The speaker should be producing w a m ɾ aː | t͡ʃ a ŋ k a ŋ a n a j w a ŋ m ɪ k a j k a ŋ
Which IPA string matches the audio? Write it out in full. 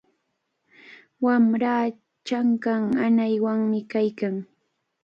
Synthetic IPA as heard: w a m ɾ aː | t͡ʃ a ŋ k a ŋ a n a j w a ŋ m ɪ k a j k a ŋ